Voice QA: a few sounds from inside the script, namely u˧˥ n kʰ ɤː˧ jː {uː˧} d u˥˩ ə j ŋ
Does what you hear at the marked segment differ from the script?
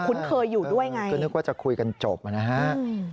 yes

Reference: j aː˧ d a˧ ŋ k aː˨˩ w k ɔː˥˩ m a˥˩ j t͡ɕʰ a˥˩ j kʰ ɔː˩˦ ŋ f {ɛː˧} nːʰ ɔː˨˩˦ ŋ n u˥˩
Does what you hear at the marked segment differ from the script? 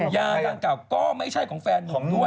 no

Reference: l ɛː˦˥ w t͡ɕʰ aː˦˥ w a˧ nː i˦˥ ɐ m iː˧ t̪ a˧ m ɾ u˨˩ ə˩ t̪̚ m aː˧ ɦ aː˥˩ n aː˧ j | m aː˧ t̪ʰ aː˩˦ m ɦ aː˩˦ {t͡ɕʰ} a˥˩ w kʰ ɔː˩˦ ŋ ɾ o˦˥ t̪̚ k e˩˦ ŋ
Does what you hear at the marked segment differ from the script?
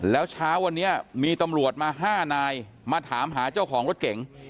yes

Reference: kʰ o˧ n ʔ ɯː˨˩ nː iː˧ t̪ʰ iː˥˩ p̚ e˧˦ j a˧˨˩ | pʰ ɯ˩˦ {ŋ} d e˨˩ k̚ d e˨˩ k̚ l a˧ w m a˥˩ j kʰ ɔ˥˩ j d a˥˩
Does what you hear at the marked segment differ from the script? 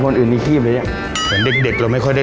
yes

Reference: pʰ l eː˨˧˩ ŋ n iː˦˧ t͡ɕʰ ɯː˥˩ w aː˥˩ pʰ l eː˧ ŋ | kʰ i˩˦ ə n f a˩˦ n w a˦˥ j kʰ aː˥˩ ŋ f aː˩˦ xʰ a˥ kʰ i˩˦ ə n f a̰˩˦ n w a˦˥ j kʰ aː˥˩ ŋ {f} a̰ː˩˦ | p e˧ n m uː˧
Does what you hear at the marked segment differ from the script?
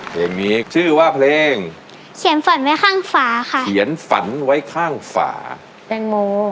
no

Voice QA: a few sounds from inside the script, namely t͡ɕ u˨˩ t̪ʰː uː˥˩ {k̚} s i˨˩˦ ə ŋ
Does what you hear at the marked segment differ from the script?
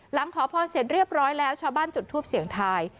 yes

